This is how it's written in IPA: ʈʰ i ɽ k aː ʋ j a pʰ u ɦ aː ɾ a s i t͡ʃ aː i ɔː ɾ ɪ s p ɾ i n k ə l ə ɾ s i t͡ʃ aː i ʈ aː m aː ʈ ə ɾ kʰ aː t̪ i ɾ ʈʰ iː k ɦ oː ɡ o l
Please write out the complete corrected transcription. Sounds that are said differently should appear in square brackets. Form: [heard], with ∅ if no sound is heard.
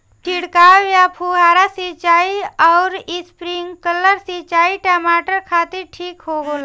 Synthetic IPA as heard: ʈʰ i ɽ k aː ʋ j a pʰ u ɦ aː ɾ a s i t͡ʃ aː i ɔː ɾ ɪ s p ɾ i [ŋ] k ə l ə ɾ s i t͡ʃ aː i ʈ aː m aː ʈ ə ɾ kʰ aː t̪ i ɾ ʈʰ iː k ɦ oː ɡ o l